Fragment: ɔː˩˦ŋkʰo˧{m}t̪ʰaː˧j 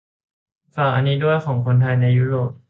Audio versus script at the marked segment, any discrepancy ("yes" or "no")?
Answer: yes